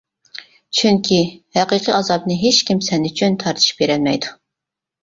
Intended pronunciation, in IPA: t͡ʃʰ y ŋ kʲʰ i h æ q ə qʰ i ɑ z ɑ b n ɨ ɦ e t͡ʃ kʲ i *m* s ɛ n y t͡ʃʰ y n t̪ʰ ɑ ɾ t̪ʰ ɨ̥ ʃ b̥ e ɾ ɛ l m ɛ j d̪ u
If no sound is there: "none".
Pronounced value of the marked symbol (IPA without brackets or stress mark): m